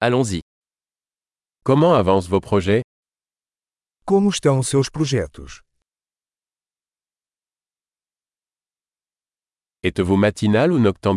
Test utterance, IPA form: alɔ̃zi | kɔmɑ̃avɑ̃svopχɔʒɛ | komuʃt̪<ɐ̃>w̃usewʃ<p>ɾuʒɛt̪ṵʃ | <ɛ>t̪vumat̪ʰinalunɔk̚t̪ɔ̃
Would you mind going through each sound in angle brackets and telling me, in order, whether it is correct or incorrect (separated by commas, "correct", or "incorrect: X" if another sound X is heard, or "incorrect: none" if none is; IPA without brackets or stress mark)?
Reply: correct, correct, correct